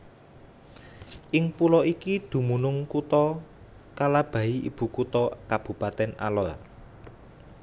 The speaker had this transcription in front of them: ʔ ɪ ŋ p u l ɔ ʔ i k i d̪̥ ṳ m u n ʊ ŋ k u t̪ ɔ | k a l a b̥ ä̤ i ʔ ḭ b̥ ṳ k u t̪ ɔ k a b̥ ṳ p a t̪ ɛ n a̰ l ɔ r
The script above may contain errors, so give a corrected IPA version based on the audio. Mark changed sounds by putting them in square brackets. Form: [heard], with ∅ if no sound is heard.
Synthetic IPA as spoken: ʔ ɪ ŋ p u l ɔ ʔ i k i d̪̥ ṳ m u n ʊ ŋ k u t̪ ɔ | k a l a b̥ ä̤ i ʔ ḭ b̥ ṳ k u t̪ ɔ k a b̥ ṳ p a t̪ ɛ n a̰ l ɔ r